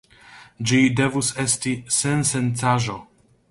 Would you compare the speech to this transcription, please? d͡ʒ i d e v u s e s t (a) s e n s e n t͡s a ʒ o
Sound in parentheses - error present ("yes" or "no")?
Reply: yes